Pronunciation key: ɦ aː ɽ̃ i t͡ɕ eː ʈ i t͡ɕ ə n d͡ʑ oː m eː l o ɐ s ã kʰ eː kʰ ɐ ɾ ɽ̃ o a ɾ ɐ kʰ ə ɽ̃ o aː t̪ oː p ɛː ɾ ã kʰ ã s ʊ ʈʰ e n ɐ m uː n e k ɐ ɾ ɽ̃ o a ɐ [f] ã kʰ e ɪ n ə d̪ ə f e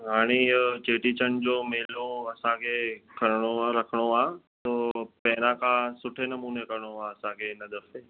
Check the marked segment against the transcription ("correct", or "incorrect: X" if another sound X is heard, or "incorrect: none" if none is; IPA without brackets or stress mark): incorrect: s